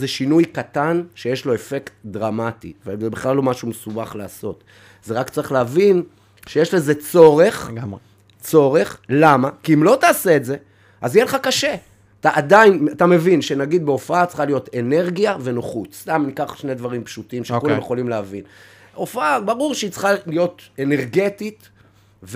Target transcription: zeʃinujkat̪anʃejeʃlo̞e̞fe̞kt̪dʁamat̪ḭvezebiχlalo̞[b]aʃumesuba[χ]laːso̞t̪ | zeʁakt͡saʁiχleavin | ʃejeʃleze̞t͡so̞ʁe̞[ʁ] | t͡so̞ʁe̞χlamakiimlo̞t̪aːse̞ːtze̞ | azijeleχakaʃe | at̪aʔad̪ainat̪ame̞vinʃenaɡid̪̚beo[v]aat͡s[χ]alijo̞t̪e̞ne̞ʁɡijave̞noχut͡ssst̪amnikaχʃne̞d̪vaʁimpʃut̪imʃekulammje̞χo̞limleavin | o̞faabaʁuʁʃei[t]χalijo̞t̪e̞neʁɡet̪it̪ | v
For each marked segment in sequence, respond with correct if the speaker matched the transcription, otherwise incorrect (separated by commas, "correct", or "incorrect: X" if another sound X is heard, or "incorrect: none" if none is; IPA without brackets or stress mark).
incorrect: m, correct, incorrect: χ, incorrect: f, correct, incorrect: t͡s